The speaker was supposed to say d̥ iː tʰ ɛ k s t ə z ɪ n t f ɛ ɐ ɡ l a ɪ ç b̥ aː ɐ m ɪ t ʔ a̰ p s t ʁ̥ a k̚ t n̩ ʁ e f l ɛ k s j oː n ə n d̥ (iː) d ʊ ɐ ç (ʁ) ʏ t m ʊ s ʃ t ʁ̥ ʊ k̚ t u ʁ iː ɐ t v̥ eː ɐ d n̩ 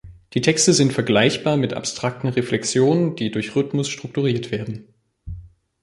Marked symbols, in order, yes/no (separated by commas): yes, yes